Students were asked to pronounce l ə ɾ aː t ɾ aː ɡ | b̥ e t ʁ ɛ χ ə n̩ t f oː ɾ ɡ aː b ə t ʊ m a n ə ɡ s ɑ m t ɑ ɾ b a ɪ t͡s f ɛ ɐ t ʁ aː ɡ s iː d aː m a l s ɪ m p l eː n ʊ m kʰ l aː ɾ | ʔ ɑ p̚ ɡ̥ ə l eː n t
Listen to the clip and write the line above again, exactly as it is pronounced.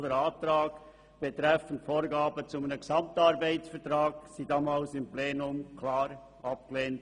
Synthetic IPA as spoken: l ə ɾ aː t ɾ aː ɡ | b̥ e t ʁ ɛ f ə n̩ t f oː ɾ ɡ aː b ə t͡s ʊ m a n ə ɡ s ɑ m t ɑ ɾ b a ɪ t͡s f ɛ ɐ t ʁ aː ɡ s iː d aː m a l s ɪ m p l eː n ʊ m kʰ l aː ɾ | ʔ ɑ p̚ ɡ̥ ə l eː n t